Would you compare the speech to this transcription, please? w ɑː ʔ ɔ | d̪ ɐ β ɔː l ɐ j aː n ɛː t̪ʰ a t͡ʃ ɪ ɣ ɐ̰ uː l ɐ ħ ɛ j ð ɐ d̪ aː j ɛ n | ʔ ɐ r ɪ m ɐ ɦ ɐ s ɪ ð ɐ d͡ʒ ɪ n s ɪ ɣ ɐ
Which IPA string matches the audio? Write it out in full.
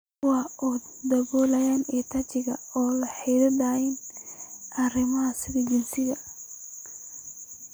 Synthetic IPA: w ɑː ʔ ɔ | d̪ ɐ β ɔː l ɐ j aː n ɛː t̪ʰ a t͡ʃ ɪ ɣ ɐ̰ ɔː l ɐ ħ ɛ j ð ɐ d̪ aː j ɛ n | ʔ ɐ r ɪ m ɐ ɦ ɐ s ɪ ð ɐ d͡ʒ ɪ n s ɪ ɣ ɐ